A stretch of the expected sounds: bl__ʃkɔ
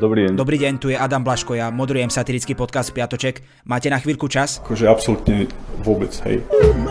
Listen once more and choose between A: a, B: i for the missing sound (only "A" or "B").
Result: A